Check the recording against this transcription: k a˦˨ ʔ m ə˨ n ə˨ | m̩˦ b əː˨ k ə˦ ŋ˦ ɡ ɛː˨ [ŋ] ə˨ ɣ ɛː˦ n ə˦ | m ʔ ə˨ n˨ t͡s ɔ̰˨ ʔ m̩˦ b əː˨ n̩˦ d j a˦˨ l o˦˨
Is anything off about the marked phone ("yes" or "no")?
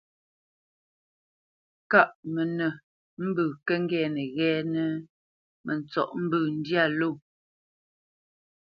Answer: yes